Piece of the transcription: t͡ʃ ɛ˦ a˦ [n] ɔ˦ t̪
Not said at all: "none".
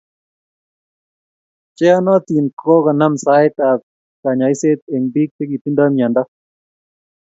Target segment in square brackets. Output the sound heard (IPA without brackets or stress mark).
n